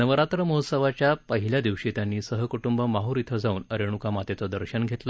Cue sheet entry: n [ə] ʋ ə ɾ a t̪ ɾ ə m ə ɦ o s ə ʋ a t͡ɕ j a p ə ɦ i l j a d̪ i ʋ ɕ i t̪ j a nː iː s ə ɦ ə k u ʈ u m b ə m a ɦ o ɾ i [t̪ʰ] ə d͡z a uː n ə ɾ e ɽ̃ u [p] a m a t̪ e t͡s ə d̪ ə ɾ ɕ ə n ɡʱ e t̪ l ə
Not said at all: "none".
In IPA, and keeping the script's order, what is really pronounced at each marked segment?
ə, t̪ʰ, k

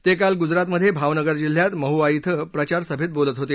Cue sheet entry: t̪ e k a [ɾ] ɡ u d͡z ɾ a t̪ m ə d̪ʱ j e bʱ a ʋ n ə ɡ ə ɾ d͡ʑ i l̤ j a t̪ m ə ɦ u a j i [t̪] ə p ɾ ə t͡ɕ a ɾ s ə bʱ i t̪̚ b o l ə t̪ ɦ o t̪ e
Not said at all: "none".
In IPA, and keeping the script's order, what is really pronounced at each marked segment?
l, t̪ʰ

